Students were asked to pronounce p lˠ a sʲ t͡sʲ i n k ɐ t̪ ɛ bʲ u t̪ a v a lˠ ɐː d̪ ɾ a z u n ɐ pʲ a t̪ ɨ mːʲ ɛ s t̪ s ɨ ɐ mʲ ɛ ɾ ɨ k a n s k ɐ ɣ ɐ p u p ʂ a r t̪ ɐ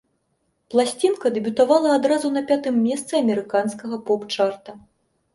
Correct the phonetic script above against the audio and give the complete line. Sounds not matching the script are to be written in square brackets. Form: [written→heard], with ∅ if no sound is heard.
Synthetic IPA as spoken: p lˠ a sʲ t͡sʲ i n k ɐ [t̪→d̪] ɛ bʲ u t̪ a v a lˠ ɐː d̪ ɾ a z u n ɐ pʲ a t̪ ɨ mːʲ ɛ s t̪ s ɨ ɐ mʲ ɛ ɾ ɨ k a n s k ɐ ɣ ɐ p [u→ɔ] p [ʂ→t͡ʂ] a r t̪ ɐ